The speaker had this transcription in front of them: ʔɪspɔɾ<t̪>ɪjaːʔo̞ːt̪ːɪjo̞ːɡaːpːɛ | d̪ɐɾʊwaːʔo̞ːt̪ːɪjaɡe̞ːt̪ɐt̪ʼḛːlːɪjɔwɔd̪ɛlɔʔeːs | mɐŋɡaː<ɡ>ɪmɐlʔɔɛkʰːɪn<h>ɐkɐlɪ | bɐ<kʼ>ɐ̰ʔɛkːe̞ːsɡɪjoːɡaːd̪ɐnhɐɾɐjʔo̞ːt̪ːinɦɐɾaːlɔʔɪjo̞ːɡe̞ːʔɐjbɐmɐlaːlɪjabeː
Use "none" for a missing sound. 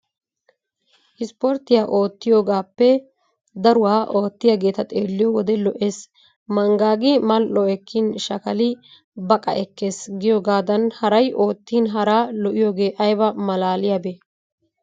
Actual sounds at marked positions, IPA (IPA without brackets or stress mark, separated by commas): t̪, ɡ, ʃ, kʼ